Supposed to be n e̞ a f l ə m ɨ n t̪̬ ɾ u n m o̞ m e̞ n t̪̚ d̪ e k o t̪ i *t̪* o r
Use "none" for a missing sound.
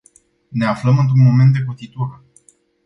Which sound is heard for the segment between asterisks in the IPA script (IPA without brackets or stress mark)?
t̪